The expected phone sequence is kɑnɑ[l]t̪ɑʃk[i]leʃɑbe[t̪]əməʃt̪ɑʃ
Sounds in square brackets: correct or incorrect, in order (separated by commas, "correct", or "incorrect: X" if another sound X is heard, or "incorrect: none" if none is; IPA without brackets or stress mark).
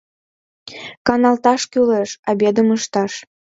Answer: correct, incorrect: y, incorrect: d̪